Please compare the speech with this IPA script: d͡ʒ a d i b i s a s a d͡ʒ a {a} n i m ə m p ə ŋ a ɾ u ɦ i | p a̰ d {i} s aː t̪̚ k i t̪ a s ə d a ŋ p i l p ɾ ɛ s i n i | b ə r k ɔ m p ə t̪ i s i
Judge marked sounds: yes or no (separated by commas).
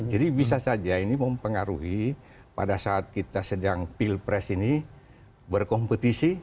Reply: no, no